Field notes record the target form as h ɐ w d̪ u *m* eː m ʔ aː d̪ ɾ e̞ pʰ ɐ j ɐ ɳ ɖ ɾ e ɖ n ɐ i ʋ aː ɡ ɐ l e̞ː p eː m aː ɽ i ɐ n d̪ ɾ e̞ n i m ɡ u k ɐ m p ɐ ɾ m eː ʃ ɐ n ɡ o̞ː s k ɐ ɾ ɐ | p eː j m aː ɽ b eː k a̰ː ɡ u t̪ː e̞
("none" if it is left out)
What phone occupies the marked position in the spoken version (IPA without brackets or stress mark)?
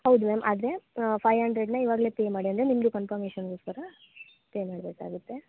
m